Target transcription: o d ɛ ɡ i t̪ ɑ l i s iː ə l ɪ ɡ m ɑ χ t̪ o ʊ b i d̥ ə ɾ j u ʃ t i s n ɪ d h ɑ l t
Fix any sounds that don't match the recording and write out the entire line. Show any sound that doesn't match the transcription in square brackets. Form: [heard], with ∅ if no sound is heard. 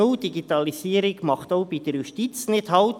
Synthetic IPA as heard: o d [i] ɡ i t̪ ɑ l i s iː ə [ɾ] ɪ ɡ m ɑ χ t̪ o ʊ b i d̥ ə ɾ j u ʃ t i [t͡s] n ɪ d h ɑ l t